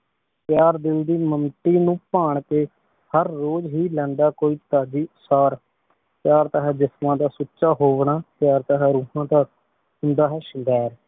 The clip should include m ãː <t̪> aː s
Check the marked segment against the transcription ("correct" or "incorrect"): incorrect